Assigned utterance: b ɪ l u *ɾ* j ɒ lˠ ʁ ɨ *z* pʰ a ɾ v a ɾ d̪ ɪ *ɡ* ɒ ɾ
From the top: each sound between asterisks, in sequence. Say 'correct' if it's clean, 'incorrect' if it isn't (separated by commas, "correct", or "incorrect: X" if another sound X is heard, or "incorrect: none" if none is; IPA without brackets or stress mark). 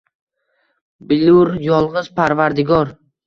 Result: correct, correct, correct